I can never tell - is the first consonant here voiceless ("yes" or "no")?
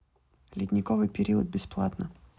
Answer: no